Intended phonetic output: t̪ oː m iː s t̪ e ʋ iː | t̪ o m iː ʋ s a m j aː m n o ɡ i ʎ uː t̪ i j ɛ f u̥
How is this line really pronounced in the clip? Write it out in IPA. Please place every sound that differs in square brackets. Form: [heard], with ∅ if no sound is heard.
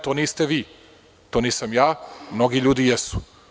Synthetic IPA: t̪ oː [n] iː s t̪ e ʋ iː | t̪ o [n] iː [∅] s a m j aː m n o ɡ i ʎ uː [d̪] i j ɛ [s] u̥